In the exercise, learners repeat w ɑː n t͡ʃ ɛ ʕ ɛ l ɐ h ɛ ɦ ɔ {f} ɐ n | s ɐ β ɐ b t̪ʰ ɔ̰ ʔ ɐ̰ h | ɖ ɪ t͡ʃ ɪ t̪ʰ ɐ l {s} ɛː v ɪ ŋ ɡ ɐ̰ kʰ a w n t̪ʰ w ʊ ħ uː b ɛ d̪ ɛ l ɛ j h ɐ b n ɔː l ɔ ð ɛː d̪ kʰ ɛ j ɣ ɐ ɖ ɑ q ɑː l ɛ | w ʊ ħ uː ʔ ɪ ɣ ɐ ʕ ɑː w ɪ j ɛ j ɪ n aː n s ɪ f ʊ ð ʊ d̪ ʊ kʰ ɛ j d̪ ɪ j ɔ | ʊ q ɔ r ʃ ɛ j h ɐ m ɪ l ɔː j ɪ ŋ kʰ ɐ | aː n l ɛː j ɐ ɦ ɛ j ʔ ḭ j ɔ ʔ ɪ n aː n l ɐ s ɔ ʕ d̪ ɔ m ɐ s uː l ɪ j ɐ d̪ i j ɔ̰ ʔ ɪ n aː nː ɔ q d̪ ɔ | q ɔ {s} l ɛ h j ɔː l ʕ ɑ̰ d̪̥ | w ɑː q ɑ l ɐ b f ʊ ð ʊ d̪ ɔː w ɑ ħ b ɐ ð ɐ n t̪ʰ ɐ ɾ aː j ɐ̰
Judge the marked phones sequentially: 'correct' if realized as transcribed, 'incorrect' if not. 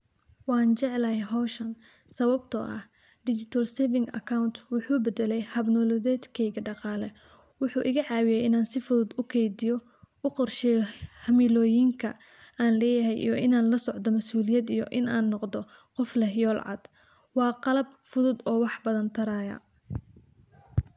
incorrect: ʃ, correct, incorrect: f

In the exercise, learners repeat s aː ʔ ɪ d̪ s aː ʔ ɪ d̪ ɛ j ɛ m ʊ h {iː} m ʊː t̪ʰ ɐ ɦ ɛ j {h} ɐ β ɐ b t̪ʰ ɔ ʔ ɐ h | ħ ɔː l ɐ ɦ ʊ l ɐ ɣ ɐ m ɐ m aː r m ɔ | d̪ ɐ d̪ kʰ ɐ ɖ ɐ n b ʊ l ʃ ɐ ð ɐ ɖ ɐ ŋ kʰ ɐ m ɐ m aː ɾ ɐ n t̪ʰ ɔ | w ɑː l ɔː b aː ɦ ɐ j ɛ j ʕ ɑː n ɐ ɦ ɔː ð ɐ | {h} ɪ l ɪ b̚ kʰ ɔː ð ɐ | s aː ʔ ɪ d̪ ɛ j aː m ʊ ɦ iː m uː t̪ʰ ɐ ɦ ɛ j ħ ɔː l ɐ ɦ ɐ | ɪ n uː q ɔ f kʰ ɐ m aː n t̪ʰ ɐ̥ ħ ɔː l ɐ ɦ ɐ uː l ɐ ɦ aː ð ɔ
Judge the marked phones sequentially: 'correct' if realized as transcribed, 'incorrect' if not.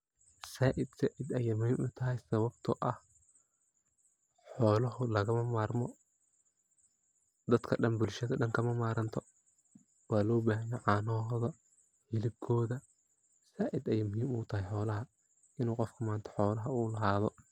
correct, incorrect: s, correct

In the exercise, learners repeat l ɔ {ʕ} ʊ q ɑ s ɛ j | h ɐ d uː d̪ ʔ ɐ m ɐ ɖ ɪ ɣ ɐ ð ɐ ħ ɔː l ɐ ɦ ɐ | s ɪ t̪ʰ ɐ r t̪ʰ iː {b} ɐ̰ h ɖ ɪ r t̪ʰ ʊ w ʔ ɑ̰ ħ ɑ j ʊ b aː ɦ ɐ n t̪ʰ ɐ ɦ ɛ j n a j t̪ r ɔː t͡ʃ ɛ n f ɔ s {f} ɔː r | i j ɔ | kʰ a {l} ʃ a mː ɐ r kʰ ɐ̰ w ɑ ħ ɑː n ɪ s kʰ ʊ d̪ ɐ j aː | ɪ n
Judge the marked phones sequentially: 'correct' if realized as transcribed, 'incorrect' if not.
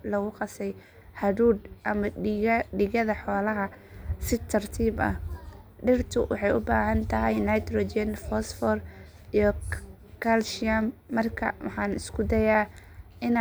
incorrect: ɣ, correct, correct, correct

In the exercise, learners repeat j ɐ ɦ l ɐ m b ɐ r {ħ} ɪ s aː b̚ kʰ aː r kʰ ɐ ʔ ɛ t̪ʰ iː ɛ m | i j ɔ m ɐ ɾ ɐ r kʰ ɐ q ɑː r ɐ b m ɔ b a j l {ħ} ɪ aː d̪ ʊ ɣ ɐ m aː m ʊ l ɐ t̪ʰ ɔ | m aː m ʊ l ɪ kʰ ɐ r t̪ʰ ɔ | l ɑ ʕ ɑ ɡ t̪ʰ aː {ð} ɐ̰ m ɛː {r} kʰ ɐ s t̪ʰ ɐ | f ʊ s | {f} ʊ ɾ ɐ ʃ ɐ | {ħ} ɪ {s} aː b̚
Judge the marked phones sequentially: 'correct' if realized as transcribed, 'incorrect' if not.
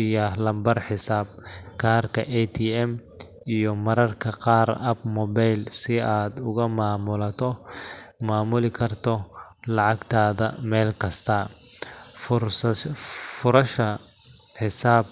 correct, incorrect: s, correct, incorrect: l, correct, correct, correct

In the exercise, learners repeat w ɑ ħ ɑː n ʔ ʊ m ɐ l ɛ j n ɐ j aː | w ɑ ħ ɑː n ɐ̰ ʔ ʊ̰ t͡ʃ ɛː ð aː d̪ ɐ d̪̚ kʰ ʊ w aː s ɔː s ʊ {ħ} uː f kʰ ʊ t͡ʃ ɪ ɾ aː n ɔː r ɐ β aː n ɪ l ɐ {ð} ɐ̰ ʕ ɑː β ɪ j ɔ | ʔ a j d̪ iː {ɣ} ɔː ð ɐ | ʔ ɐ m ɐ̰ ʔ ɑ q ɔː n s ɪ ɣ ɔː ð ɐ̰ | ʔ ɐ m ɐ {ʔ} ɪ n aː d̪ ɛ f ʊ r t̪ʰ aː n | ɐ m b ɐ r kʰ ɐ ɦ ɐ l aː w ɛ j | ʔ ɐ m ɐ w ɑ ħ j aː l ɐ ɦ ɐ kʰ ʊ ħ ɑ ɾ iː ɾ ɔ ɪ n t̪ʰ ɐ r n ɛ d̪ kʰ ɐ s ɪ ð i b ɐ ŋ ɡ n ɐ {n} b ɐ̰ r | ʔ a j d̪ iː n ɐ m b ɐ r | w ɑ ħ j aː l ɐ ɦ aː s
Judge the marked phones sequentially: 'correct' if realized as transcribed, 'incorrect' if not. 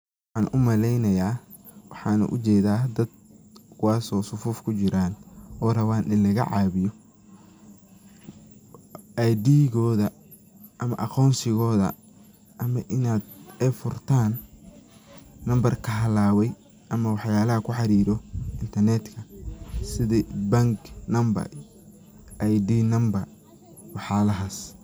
incorrect: f, incorrect: ɣ, correct, correct, incorrect: m

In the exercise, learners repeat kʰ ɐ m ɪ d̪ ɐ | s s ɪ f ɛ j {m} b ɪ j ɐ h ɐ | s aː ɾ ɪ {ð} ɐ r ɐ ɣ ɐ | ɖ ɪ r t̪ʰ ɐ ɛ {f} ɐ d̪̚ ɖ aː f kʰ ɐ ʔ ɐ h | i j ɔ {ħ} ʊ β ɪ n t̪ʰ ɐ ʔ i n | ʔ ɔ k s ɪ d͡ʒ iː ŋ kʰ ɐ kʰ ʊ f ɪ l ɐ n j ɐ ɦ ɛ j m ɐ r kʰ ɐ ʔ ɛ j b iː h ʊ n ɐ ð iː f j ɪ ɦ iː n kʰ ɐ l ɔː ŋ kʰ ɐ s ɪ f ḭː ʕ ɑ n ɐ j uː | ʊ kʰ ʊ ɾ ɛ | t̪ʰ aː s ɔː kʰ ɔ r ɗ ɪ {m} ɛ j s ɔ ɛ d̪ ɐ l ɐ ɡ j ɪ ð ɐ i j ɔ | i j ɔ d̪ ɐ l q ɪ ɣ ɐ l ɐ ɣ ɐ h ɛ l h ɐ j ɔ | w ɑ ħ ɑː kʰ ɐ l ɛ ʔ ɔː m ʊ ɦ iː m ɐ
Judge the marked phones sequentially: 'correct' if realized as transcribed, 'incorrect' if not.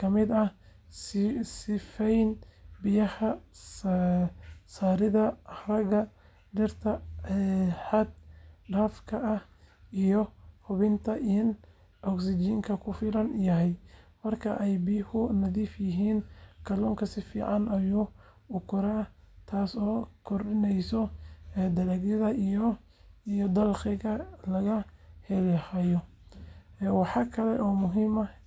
incorrect: n, correct, incorrect: ħ, incorrect: h, incorrect: n

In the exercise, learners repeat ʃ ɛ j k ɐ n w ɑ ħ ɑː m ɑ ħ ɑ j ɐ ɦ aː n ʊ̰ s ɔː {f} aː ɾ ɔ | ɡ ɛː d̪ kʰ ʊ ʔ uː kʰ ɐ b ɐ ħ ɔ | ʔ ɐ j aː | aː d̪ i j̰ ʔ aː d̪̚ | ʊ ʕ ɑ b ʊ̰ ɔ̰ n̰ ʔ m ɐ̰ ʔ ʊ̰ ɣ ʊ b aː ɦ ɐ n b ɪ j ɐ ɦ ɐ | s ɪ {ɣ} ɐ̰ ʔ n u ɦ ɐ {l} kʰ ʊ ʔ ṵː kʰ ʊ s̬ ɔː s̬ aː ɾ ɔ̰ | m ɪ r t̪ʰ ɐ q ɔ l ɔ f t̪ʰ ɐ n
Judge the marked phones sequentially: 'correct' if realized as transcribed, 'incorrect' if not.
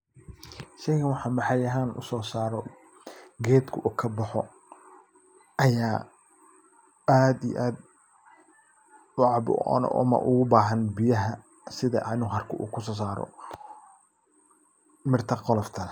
incorrect: s, incorrect: ð, incorrect: r

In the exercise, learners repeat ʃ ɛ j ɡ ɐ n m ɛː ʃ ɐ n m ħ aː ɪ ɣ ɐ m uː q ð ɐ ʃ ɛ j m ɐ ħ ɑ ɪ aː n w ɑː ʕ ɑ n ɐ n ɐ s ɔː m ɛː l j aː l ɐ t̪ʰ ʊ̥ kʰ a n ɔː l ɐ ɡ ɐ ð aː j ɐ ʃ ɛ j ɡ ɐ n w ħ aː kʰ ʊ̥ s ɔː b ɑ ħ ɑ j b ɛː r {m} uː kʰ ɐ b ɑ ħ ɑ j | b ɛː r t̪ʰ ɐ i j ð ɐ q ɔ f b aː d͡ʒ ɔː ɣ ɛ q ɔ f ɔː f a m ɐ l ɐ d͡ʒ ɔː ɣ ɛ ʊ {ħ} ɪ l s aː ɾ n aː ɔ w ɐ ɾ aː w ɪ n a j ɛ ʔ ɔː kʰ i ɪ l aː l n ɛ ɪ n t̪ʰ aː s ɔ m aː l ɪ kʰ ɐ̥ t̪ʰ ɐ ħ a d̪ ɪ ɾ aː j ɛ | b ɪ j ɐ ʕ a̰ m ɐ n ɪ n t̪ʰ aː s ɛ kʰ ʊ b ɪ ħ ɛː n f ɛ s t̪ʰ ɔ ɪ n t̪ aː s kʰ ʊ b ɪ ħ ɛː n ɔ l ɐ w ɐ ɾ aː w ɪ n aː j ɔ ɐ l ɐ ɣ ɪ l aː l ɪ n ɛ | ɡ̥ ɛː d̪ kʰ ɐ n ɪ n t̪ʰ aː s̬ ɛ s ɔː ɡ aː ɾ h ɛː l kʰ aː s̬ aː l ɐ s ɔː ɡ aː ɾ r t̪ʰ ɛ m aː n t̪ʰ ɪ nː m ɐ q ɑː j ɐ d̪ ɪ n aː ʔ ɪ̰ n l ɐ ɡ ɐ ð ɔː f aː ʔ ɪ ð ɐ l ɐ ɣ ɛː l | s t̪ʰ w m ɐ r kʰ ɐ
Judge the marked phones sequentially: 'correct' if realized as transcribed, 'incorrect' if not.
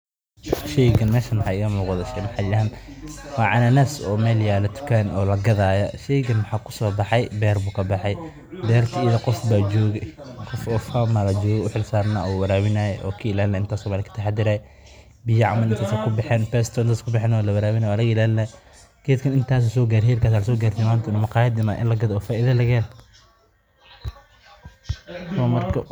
incorrect: b, correct

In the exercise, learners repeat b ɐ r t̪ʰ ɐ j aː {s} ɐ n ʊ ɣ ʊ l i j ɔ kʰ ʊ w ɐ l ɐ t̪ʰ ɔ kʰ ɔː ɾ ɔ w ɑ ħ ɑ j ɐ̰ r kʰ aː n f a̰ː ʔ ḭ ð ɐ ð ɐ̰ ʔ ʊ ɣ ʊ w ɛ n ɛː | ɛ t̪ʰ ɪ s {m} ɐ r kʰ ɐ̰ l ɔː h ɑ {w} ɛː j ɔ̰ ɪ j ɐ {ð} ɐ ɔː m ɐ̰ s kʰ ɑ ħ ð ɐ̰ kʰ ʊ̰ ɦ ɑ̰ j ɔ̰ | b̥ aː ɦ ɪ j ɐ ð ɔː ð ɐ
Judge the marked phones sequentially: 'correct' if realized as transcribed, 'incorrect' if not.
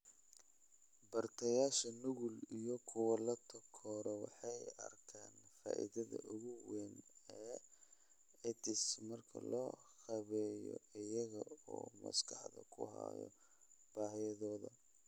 incorrect: ʃ, correct, incorrect: β, incorrect: ɣ

